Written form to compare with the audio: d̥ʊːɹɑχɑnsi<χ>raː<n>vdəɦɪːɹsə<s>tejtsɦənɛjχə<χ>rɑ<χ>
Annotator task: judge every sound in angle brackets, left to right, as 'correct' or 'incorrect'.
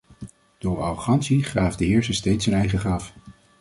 correct, incorrect: none, correct, correct, incorrect: f

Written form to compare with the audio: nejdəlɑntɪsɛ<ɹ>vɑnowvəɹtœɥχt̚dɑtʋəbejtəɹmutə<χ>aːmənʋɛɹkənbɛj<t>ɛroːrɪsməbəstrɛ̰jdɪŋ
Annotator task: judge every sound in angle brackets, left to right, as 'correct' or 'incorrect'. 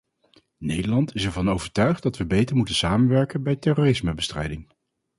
correct, incorrect: s, correct

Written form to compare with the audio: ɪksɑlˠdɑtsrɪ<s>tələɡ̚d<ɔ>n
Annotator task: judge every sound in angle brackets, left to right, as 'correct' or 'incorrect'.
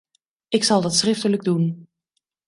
incorrect: f, incorrect: u

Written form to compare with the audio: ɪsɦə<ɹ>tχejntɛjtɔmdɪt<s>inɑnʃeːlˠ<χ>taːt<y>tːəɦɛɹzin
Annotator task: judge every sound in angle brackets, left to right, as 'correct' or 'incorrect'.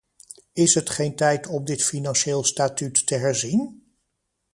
incorrect: none, incorrect: f, incorrect: s, correct

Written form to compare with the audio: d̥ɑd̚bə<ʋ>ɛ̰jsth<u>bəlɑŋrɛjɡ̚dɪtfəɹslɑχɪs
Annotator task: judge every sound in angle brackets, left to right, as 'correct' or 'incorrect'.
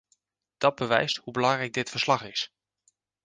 correct, correct

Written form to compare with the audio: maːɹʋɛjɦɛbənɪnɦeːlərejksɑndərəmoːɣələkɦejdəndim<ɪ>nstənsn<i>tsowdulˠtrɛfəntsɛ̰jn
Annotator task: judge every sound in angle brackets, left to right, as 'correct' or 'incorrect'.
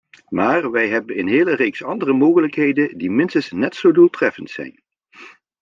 correct, incorrect: ɛ

